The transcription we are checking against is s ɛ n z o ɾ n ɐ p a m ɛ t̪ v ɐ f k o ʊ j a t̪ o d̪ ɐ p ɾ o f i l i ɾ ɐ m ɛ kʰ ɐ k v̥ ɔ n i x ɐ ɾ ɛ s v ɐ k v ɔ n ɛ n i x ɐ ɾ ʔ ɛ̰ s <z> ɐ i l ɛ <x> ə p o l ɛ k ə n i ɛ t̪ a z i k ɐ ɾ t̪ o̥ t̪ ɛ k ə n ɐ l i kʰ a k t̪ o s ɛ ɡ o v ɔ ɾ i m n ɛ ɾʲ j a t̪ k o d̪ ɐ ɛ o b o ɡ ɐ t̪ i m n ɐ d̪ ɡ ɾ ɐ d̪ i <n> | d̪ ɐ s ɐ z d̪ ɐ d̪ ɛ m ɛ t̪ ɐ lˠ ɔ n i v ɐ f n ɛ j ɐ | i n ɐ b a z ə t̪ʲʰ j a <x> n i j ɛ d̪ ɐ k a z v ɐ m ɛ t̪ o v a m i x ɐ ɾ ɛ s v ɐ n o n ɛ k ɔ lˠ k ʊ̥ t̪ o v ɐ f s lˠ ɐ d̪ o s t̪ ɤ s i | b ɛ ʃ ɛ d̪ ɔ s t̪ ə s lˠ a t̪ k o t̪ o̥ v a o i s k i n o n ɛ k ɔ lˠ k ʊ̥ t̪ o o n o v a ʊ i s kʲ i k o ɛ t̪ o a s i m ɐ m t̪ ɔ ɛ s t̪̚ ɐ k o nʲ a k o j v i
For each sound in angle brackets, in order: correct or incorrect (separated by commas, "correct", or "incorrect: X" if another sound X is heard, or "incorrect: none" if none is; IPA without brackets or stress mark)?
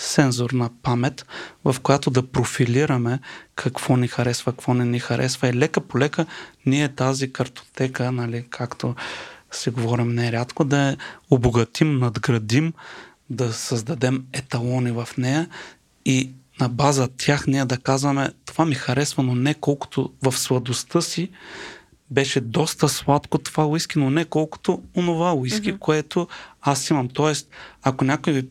incorrect: v, incorrect: k, incorrect: m, correct